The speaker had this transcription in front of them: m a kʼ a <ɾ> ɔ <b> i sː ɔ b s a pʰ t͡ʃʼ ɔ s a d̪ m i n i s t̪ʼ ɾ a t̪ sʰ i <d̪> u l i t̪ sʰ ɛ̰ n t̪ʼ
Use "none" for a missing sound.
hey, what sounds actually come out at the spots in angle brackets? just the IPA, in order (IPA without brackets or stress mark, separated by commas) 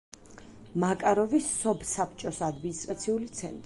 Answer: ɾ, v, none